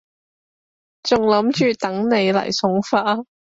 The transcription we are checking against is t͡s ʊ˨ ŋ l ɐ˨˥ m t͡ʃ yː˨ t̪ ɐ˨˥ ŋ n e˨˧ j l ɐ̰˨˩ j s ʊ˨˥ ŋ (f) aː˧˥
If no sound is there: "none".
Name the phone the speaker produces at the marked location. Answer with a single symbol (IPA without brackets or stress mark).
f